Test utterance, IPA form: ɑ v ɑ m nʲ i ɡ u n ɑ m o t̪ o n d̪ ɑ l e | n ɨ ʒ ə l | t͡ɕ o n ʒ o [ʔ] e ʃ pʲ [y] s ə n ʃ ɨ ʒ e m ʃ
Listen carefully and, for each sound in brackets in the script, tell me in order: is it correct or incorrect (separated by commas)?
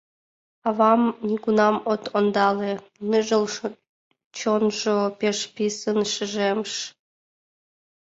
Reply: incorrect, incorrect